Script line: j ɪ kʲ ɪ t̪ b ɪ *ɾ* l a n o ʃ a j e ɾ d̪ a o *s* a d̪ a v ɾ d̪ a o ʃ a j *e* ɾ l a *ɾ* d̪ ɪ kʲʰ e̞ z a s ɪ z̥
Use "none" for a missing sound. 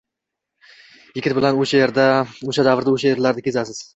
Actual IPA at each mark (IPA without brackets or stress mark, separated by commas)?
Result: none, ʃ, e, ɾ